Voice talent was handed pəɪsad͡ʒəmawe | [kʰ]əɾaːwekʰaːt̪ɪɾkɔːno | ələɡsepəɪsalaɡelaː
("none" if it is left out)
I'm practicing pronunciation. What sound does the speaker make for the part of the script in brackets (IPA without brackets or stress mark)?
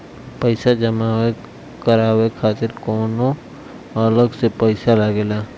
k